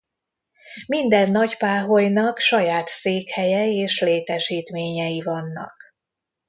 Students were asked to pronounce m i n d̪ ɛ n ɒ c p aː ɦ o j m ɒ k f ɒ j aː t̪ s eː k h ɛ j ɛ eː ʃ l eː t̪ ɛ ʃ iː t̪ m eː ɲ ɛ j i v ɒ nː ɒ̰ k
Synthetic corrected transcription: m i n d̪ ɛ nː ɒ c p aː ɦ o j n ɒ k ʃ ɒ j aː t̪ s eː k h ɛ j ɛ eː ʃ l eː t̪ ɛ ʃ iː t̪ m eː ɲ ɛ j i v ɒ nː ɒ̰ k